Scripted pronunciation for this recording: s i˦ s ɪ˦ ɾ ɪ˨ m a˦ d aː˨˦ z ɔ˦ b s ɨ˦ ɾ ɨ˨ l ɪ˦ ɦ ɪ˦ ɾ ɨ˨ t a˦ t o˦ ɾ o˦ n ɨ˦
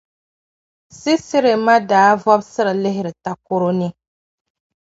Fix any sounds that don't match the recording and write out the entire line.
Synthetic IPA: s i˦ s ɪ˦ ɾ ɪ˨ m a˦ d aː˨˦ v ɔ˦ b s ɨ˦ ɾ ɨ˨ l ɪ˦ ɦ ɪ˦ ɾ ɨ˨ t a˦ k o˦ ɾ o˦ n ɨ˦